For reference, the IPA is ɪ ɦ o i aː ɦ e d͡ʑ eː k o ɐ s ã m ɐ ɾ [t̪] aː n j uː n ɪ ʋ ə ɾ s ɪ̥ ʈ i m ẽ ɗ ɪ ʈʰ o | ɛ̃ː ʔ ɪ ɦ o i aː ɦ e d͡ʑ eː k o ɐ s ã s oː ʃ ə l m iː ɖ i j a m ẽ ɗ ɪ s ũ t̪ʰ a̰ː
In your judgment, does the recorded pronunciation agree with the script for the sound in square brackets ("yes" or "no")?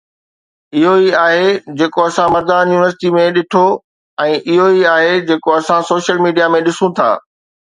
no